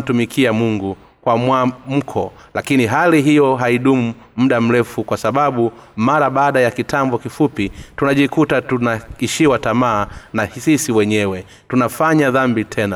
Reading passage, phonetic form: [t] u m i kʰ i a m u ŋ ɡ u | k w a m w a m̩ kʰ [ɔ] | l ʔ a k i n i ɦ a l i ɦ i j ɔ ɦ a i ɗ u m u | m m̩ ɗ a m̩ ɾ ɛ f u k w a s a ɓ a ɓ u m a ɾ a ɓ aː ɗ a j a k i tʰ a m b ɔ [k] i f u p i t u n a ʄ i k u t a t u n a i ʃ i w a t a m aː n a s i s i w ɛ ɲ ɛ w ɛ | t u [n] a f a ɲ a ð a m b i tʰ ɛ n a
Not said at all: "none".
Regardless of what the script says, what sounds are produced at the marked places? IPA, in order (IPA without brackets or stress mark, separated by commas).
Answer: t, ɔ, k, n